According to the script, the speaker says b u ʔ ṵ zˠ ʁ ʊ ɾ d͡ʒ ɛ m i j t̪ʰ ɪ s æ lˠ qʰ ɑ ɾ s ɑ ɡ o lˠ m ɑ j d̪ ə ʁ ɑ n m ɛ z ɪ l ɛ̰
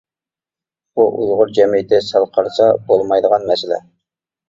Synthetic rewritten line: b u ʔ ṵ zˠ ʁ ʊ ɾ d͡ʒ ɛ m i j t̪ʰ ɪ s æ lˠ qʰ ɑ ɾ s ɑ b o lˠ m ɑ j d̪ ə ʁ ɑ n m ɛ s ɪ l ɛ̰